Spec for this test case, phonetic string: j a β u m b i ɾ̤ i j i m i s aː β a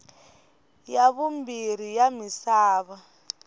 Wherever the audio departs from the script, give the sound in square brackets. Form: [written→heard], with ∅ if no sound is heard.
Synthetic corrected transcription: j a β u m b i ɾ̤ i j [i→a] m i s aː β a